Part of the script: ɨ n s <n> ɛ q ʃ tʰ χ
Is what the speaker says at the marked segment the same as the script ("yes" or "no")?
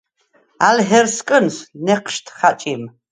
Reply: yes